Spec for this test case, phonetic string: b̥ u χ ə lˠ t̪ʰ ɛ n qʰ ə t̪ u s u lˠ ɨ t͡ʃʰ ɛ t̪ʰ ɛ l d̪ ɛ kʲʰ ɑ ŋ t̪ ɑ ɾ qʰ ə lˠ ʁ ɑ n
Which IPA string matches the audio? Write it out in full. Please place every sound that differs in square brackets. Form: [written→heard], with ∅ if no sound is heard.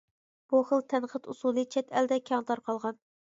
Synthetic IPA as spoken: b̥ u χ ə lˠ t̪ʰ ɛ n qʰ ə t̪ u s u lˠ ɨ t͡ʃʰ ɛ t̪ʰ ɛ l d̪ ɛ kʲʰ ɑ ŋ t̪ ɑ ɾ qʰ [ə→ɑ] lˠ ʁ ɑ n